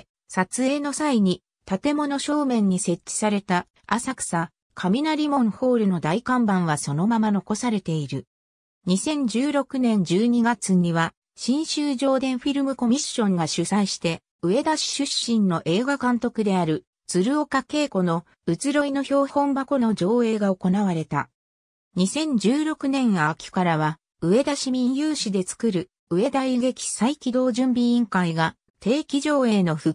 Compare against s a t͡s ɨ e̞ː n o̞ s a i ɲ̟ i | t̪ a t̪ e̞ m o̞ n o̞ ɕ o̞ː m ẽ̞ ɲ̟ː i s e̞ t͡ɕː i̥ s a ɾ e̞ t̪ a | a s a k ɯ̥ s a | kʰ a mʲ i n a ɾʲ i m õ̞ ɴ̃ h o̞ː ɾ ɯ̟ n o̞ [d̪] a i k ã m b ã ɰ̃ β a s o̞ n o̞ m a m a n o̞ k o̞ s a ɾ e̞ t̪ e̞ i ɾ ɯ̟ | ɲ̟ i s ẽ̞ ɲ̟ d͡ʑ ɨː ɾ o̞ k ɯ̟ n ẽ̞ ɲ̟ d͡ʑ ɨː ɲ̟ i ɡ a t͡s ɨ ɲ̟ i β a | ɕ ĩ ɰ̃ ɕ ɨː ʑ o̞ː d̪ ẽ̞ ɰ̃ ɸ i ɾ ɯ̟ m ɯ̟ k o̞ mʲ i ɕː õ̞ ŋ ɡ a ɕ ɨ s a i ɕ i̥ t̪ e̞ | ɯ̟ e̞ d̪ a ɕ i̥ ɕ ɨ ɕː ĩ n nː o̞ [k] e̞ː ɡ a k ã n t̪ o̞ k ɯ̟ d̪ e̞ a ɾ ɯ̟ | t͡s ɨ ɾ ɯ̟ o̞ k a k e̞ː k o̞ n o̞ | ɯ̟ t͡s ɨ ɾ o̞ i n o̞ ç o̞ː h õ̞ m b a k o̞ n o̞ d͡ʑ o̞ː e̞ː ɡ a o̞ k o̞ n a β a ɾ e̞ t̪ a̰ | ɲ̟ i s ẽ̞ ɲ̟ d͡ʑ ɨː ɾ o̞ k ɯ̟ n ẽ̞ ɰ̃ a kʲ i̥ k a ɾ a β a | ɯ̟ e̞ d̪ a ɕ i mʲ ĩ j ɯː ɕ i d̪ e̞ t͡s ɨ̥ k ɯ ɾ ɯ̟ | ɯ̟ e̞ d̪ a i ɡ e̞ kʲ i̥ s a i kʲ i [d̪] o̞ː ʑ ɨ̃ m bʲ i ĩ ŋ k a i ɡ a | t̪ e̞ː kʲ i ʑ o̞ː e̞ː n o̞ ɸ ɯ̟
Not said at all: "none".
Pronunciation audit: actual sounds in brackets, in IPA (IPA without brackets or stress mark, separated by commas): d̪, ʔ, d̪